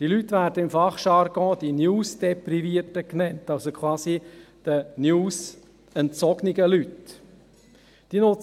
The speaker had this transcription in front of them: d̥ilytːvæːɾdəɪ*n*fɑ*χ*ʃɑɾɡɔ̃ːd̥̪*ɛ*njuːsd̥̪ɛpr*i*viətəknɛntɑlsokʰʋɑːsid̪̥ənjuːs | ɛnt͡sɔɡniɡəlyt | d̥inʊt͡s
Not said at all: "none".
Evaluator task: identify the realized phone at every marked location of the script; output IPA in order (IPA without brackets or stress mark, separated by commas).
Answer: m, χ, i, i